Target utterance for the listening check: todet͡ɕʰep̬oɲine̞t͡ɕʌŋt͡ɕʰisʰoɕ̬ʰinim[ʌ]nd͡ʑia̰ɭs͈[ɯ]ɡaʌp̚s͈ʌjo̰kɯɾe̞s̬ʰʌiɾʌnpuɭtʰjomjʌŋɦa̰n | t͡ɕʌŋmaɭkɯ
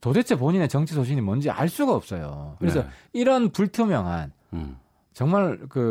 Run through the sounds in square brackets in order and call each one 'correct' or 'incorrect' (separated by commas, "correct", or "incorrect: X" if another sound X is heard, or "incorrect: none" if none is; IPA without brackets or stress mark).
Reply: correct, incorrect: u